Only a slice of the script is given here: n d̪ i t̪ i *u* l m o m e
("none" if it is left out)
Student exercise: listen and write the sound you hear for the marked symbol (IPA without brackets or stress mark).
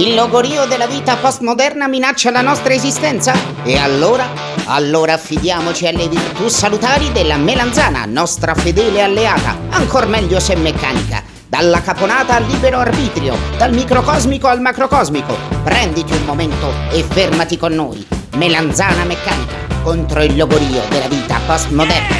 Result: u